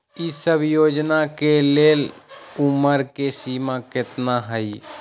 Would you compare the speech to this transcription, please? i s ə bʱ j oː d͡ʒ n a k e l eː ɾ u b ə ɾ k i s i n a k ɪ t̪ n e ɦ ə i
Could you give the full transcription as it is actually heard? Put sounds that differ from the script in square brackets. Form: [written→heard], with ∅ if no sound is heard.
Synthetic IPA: i s ə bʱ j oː d͡ʒ n a k e l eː [ɾ→l] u [b→m] ə ɾ k [i→e] s i [n→m] a k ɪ t̪ n [e→a] ɦ ə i